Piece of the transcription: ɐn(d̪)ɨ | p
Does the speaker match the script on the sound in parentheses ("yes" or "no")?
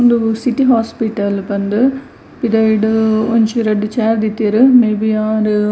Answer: yes